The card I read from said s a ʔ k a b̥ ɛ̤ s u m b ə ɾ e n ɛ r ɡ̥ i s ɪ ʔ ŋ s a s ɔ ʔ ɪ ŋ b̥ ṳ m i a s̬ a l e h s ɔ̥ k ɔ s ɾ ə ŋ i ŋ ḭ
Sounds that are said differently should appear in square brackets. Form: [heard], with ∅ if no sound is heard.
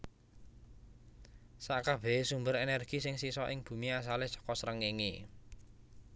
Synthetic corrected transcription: s a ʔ k a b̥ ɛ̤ s u m b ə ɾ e n ɛ r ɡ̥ i s ɪ [∅] ŋ s [i] s ɔ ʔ ɪ ŋ b̥ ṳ m i a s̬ a l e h s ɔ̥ k ɔ s ɾ ə ŋ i ŋ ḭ